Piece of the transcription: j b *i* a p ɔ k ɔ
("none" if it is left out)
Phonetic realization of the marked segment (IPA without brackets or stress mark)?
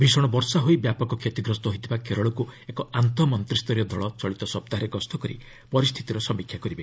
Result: j